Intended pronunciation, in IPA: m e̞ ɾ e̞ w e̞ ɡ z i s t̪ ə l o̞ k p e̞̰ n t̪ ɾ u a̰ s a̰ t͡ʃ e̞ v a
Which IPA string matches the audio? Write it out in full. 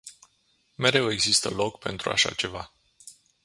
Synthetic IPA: m e̞ ɾ e̞ w e̞ ɡ z i s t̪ ə l o̞ k p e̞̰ n t̪ ɾ u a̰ ʃ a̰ t͡ʃ e̞ v a

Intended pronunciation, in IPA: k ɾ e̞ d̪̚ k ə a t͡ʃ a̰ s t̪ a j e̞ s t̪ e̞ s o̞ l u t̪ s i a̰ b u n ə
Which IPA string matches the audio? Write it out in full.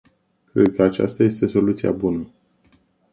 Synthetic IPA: k ɾ e̞ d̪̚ k ə a t͡ʃ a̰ s t̪ a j e̞ s t̪ e̞ s o̞ l u t̪ s i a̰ b u n ə

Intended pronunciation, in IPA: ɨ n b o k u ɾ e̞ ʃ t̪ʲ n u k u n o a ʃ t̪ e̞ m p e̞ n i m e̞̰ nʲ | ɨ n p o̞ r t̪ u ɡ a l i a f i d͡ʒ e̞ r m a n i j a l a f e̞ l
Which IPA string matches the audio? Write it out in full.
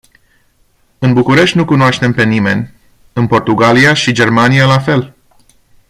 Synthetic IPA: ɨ n b u k u ɾ e̞ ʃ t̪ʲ n u k u n o a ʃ t̪ e̞ m p e̞ n i m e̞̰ nʲ | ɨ n p o̞ r t̪ u ɡ a l i a ʃ i d͡ʒ e̞ r m a n i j a l a f e̞ l

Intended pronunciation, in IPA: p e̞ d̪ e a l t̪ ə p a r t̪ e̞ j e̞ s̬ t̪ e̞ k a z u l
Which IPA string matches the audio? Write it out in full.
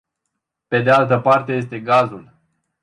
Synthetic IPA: p e̞ d̪ e a l t̪ ə p a r t̪ e̞ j e̞ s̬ t̪ e̞ ɡ a z u l

